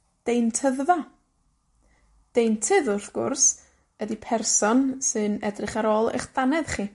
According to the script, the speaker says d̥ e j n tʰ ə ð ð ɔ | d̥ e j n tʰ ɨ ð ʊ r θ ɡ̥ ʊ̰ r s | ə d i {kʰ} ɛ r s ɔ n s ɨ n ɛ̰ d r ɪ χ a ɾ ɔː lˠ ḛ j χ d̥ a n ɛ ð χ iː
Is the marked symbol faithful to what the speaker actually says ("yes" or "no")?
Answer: no